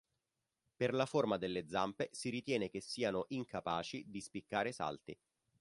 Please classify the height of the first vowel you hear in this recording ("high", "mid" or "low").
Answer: mid